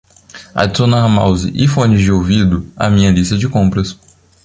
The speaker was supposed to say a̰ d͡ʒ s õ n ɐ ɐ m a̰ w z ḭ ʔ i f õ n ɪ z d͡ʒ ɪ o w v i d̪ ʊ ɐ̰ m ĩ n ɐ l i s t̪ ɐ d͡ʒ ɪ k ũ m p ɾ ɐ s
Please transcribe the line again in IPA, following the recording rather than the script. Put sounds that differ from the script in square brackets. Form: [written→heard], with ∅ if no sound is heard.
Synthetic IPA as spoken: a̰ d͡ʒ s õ n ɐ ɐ m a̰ w z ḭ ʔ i f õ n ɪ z d͡ʒ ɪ o w v i d̪ ʊ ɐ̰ m ĩ [n→ɲ] ɐ l i s t̪ ɐ d͡ʒ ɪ k [ũ→õ] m p ɾ ɐ s